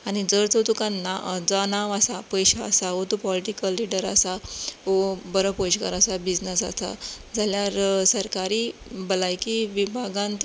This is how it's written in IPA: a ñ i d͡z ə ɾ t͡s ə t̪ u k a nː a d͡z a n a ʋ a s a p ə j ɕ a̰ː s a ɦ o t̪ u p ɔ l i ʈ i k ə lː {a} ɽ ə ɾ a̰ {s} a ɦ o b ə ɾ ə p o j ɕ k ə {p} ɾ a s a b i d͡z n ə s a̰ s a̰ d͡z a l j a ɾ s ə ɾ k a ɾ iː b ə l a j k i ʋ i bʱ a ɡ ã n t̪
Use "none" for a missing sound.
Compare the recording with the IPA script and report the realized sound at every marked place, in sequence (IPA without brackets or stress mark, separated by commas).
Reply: i, s, none